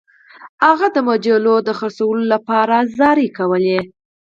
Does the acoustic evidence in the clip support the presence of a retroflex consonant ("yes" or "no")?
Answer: no